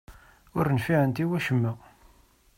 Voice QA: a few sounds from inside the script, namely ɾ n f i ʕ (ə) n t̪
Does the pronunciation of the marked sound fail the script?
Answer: no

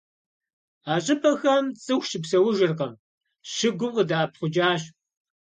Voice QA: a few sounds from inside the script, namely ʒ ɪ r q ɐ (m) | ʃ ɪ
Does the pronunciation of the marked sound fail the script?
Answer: no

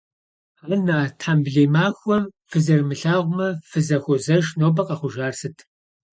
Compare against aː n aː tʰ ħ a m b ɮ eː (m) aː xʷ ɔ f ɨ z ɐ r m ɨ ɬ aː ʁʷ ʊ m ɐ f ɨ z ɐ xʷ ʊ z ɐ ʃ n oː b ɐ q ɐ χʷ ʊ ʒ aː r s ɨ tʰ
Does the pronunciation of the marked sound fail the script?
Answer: no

